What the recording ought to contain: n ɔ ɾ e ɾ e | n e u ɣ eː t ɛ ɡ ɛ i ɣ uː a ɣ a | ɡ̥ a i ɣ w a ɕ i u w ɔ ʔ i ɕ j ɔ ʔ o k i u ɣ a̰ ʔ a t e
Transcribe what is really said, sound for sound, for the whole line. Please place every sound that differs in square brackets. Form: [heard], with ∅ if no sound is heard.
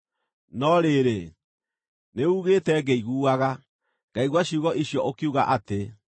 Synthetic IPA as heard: n ɔ ɾ e ɾ e | n e u ɣ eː t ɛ ɡ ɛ i ɣ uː a ɣ a | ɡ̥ a i ɣ w a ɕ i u [ɣ] ɔ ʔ i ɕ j ɔ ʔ o k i u ɣ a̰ ʔ a t e